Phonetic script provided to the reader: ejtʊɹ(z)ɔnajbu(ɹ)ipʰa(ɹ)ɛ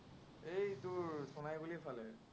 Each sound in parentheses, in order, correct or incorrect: incorrect: s, incorrect: l, incorrect: l

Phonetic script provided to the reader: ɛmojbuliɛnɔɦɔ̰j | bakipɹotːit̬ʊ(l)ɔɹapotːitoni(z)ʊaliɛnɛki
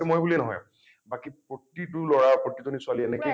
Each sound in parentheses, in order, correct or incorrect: correct, incorrect: s

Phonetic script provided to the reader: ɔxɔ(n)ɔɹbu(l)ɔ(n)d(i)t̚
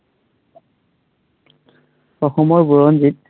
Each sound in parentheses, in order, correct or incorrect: incorrect: m, incorrect: ɹ, correct, correct

